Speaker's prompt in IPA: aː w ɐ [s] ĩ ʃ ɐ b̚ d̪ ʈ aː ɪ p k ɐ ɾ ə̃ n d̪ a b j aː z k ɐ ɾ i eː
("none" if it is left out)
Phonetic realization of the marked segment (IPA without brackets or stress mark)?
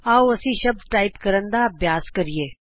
s